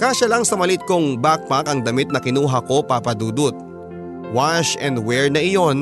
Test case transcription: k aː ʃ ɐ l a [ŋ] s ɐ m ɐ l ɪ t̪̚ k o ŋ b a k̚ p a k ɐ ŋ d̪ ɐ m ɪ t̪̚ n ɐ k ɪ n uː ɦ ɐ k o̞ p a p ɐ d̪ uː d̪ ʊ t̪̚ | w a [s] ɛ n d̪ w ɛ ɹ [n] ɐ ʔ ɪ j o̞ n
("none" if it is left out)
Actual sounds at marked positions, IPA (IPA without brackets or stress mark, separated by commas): ŋ, ʃ, n